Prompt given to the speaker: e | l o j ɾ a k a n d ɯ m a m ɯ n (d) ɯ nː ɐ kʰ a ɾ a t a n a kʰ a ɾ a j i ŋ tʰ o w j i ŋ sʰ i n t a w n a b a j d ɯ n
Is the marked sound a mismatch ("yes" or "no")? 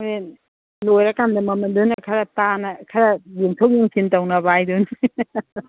no